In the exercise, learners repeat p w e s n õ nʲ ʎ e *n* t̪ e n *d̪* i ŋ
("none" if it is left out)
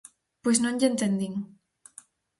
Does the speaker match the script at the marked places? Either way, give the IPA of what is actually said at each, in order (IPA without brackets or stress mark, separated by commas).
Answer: n, d̪